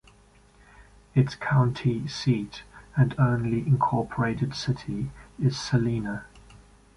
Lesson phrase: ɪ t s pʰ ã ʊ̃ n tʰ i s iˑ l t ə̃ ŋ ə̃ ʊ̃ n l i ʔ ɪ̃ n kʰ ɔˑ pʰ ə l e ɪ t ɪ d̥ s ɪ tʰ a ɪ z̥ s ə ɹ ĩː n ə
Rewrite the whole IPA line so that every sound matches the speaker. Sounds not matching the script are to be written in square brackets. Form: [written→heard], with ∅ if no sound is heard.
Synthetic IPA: ɪ t s [pʰ→kʰ] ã ʊ̃ n tʰ i s iˑ [l→∅] t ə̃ [ŋ→n] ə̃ ʊ̃ n l i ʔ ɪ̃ n kʰ ɔˑ pʰ ə [l→ɹ] e ɪ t ɪ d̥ s ɪ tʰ [a→i] ɪ z̥ s ə [ɹ→l] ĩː n ə